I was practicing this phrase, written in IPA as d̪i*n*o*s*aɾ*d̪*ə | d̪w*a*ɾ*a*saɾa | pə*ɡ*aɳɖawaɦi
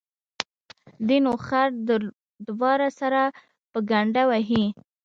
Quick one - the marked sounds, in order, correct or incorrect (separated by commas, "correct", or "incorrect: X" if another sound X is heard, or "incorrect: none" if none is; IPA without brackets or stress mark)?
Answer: correct, incorrect: x, correct, incorrect: ɑ, correct, correct